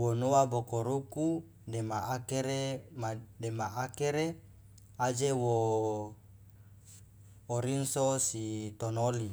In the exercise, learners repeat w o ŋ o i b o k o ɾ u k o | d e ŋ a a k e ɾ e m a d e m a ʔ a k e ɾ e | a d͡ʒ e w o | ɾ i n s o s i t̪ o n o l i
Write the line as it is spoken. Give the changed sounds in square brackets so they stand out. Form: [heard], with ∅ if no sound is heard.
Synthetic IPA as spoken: w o [n] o [a] b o k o ɾ u k [u] | d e [m] a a k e ɾ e m a d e m a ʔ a k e ɾ e | a d͡ʒ e w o | ɾ i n s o s i t̪ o n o l i